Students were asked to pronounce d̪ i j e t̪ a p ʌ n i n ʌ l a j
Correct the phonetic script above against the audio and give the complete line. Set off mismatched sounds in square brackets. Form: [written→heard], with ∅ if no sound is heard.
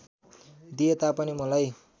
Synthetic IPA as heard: d̪ i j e t̪ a p ʌ n i [n→m] ʌ l a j